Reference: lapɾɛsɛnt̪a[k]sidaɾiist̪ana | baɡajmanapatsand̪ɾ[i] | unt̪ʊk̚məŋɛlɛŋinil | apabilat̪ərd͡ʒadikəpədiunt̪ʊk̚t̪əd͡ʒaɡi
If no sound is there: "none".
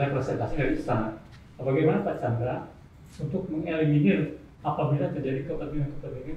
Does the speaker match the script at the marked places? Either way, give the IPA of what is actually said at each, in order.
none, a

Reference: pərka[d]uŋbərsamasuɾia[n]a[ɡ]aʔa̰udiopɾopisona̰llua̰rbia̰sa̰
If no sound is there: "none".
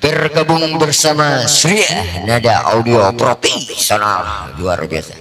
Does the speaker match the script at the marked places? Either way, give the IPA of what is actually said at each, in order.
b, n, d

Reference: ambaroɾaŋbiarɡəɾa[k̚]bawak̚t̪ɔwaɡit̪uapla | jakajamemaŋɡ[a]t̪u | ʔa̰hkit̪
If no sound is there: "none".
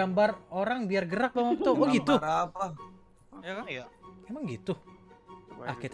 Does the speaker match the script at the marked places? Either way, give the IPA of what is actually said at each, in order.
k̚, i

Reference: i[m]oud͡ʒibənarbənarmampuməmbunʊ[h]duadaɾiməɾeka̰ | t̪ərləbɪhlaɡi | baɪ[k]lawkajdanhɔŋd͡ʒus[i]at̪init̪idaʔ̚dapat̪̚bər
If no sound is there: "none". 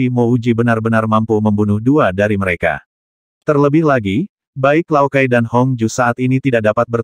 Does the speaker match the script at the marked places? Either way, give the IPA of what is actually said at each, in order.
m, h, k, a

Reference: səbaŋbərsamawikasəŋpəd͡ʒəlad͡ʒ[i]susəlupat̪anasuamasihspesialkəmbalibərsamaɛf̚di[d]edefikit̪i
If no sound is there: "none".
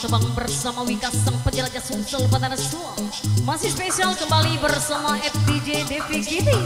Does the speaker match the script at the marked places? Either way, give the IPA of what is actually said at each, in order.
a, d͡ʒ

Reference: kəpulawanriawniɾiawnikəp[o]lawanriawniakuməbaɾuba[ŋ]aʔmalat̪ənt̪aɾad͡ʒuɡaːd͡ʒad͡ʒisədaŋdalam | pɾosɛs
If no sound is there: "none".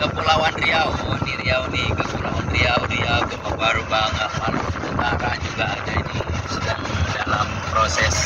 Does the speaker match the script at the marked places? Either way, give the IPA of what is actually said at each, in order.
u, ŋ

